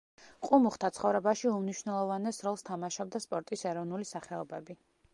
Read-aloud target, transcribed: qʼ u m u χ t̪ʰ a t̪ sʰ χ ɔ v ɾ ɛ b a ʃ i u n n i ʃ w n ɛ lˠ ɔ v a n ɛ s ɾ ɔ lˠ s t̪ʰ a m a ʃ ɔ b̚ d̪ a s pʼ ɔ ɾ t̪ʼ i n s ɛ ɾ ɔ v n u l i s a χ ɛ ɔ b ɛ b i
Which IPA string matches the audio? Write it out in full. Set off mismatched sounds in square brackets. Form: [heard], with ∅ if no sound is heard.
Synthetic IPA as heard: qʼ u m u χ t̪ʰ a t̪ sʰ χ ɔ v ɾ ɛ b a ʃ i u [m] n i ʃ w n ɛ lˠ ɔ v a n ɛ s ɾ ɔ lˠ s t̪ʰ a m a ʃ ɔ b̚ d̪ a s pʼ ɔ ɾ t̪ʼ i [∅] s ɛ ɾ ɔ v n u l i s a χ ɛ ɔ b ɛ b i